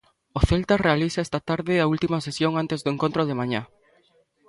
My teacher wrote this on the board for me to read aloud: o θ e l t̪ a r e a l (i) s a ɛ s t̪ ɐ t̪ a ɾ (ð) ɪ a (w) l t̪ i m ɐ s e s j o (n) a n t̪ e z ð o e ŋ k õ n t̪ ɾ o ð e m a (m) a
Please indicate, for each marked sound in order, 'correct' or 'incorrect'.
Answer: correct, correct, incorrect: u, incorrect: ŋ, incorrect: ɲ

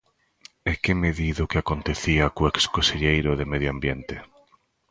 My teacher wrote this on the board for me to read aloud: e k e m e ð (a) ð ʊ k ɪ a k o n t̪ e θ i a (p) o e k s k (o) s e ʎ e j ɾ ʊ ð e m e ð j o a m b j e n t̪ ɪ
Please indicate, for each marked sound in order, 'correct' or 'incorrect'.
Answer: incorrect: i, incorrect: k, correct

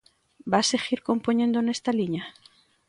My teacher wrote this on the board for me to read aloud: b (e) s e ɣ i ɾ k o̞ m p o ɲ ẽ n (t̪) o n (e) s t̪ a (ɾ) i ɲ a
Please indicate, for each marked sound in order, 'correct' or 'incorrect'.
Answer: incorrect: a, incorrect: d̪, correct, incorrect: l

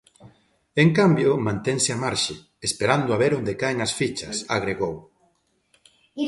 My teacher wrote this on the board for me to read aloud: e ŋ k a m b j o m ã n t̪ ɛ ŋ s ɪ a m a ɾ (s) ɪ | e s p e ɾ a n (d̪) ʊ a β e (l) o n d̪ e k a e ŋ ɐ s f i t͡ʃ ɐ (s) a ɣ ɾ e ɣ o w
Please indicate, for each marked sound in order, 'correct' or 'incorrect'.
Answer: incorrect: ʃ, correct, incorrect: ɾ, correct

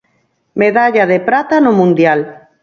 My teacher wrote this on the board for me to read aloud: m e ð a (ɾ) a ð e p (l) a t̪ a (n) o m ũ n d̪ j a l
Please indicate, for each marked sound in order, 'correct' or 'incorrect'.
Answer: incorrect: ʎ, incorrect: ɾ, correct

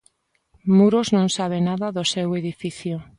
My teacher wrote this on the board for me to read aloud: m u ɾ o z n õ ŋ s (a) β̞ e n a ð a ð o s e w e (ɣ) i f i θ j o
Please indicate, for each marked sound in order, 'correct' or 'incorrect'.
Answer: correct, incorrect: ð

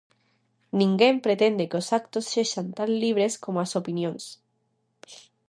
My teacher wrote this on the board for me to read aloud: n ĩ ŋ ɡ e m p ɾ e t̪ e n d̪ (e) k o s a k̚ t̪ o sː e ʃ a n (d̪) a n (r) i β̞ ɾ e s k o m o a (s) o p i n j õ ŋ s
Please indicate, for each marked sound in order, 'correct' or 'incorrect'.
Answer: correct, incorrect: t̪, incorrect: l, correct

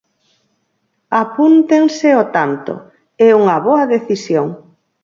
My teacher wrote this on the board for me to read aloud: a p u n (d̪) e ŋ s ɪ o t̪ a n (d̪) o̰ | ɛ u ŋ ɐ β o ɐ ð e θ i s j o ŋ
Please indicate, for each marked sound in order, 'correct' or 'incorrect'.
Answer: incorrect: t̪, incorrect: t̪

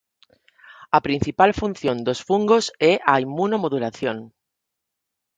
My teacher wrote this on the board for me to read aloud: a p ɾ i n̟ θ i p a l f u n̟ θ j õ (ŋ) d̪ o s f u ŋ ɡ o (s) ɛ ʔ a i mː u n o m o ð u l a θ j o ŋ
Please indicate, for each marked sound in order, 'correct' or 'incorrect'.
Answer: incorrect: n, correct

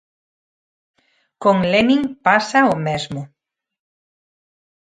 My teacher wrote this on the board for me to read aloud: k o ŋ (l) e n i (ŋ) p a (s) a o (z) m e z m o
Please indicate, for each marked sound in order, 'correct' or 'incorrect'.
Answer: correct, correct, correct, incorrect: none

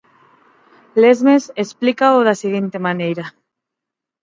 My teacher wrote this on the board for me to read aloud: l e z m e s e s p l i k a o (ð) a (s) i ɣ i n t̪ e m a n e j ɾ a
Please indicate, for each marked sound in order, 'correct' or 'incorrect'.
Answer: correct, correct

